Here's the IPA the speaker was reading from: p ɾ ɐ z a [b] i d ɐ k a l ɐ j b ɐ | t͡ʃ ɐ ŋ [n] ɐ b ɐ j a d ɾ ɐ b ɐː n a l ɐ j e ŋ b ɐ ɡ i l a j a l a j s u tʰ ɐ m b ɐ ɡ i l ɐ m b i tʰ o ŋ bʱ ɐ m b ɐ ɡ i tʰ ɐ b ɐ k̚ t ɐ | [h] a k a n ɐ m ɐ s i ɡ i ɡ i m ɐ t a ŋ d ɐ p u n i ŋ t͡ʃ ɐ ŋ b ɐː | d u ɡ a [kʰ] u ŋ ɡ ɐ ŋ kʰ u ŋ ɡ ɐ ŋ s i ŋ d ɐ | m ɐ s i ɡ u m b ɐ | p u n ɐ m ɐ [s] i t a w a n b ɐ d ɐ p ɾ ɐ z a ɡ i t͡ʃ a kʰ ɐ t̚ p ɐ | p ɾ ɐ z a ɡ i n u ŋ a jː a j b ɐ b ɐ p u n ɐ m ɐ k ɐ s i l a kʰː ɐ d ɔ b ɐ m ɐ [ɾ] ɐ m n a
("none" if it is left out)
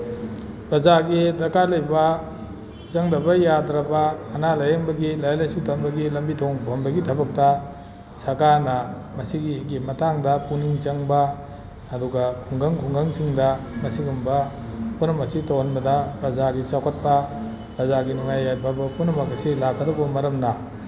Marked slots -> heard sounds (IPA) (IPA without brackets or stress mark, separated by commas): ɡ, d, s, kʰ, s, ɾ